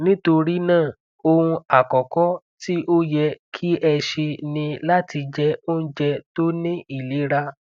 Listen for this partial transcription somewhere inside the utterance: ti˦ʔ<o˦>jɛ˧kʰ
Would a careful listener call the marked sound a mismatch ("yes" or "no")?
no